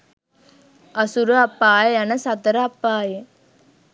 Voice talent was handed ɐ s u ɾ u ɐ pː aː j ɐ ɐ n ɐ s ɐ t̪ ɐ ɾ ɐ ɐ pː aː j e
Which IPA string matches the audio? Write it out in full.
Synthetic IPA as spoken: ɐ s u ɾ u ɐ pː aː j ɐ ɐ n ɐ s ɐ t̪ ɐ ɾ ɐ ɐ pː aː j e